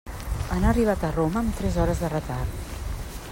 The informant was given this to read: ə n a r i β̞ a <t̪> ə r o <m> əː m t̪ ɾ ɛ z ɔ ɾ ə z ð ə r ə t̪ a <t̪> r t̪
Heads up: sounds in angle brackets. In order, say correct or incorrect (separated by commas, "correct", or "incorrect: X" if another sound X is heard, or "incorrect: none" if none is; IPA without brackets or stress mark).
correct, correct, incorrect: none